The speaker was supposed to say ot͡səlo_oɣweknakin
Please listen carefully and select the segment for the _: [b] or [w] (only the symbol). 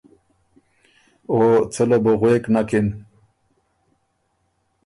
b